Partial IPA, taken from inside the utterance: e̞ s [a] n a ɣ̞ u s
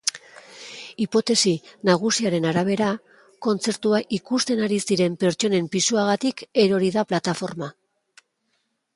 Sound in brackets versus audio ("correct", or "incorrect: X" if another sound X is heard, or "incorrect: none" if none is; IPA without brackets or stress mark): incorrect: i